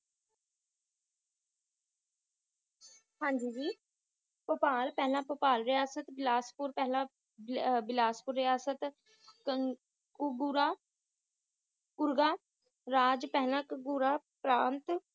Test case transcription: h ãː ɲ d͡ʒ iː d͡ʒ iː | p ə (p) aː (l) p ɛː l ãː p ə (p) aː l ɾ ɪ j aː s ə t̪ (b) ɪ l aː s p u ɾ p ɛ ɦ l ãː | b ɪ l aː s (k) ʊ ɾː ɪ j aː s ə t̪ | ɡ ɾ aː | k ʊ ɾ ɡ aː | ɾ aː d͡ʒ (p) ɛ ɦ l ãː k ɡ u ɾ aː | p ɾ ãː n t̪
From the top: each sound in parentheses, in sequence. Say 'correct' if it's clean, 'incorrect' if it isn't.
correct, correct, correct, correct, incorrect, correct

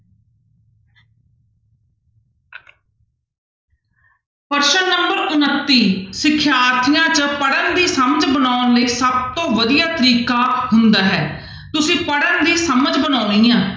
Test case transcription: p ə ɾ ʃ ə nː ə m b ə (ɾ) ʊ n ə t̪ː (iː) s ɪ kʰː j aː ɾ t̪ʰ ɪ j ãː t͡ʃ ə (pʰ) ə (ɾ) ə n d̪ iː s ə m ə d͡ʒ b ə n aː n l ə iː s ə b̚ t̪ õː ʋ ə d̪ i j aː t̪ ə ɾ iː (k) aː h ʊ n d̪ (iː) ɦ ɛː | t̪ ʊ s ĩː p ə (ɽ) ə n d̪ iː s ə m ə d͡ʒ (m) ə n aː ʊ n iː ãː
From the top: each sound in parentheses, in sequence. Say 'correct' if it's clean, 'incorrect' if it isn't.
correct, correct, incorrect, incorrect, correct, incorrect, correct, incorrect

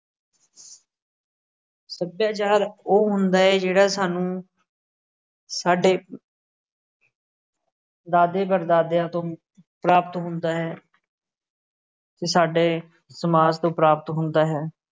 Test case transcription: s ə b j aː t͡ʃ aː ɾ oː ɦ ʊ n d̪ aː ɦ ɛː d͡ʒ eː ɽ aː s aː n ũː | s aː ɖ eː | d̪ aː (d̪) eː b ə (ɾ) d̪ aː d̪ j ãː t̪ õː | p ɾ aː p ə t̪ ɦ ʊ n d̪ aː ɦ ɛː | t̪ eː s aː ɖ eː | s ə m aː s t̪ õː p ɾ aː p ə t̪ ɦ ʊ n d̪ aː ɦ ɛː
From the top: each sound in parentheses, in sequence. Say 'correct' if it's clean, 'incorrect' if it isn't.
correct, correct

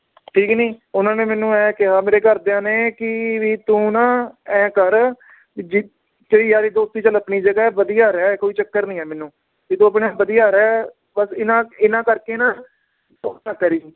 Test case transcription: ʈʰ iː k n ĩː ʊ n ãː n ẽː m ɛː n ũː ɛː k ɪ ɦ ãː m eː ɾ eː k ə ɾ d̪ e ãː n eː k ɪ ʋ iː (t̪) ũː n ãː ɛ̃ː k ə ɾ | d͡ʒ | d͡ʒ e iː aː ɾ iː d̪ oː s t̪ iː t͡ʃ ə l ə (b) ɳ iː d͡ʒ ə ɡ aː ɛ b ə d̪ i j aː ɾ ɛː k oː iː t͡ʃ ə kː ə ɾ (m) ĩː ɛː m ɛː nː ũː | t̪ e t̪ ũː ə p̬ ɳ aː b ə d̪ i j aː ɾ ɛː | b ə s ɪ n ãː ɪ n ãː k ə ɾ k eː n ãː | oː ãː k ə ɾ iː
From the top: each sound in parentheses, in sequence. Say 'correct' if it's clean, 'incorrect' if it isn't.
correct, incorrect, incorrect

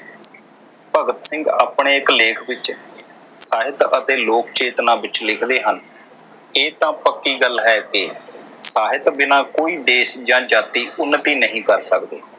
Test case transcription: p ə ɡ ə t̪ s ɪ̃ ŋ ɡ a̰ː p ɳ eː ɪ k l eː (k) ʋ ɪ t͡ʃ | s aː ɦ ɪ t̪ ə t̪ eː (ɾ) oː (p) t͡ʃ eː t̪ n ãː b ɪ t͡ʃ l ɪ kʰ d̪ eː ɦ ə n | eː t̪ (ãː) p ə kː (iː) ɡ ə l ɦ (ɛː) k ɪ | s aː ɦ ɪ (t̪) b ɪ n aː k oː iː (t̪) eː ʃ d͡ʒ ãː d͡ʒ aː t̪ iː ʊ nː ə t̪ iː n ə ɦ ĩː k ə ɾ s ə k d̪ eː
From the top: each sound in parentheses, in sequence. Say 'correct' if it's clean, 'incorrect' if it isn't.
incorrect, incorrect, incorrect, correct, correct, correct, correct, incorrect

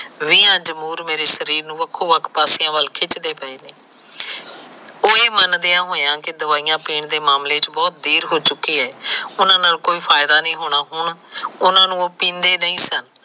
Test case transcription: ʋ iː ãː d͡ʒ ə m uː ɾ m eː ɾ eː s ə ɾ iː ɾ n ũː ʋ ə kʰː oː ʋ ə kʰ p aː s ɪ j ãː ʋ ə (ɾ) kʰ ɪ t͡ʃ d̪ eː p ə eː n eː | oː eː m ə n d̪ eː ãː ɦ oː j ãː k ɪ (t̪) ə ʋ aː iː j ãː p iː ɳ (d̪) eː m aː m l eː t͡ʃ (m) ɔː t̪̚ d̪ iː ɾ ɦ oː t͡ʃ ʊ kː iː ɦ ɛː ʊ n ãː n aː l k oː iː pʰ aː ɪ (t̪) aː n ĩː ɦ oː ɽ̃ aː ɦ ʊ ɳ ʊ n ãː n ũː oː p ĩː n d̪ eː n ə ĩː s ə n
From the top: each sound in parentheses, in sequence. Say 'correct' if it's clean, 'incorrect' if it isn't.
incorrect, incorrect, correct, incorrect, incorrect

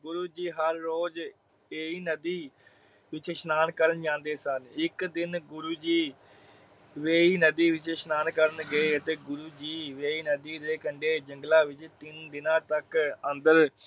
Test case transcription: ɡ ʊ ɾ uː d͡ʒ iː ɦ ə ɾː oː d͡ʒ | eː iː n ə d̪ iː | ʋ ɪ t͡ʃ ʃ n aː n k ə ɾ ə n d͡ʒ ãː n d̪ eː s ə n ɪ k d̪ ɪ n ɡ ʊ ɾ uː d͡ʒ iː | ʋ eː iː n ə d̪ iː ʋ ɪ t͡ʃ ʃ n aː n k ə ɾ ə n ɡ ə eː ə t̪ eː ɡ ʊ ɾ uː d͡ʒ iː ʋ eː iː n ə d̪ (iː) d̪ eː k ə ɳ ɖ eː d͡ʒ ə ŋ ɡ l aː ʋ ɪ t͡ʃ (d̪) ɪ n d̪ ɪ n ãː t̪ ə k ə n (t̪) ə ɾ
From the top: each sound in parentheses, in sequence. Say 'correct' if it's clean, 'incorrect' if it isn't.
correct, incorrect, incorrect

